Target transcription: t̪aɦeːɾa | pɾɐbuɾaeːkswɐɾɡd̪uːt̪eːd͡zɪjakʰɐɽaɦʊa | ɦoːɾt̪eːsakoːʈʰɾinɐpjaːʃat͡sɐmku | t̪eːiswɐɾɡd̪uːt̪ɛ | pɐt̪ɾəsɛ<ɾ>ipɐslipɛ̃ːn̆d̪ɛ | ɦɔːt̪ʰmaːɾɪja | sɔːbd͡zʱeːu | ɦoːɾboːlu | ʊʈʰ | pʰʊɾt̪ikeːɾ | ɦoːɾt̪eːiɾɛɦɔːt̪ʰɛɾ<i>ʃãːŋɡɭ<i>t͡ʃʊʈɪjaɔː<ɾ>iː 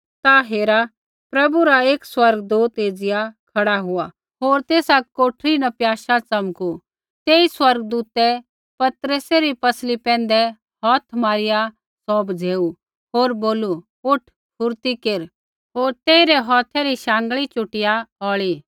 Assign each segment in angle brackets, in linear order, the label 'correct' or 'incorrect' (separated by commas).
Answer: correct, correct, correct, incorrect